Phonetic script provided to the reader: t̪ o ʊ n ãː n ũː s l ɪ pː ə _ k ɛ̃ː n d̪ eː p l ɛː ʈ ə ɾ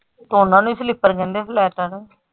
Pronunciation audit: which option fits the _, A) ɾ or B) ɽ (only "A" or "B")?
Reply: A